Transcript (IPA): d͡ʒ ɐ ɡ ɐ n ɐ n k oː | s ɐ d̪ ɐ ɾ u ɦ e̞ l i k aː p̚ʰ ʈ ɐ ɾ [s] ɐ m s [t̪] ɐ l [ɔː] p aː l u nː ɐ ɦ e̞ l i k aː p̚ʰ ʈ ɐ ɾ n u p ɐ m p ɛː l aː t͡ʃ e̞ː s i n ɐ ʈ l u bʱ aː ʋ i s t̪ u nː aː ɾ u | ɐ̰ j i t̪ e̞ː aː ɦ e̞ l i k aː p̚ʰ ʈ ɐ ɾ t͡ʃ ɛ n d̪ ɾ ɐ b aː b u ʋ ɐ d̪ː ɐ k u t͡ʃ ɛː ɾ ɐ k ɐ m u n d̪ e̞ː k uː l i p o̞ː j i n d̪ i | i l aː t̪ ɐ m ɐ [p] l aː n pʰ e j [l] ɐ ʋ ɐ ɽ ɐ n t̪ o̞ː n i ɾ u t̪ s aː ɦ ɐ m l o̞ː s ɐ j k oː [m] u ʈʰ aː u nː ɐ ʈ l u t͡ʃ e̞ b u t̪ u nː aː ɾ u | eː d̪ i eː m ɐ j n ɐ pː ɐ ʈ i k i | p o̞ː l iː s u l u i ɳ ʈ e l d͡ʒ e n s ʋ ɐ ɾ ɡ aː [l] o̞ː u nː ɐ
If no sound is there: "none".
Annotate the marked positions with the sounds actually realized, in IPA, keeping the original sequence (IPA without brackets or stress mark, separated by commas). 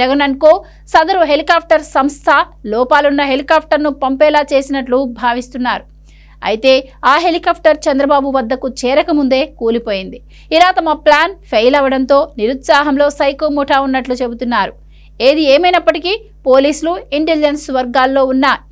s, t̪ʰ, ɔː, p, l, m, lː